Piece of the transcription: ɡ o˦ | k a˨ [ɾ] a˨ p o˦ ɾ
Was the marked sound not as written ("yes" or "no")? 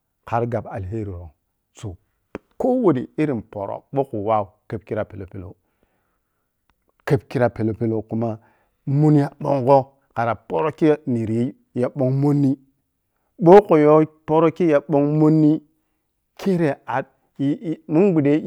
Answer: no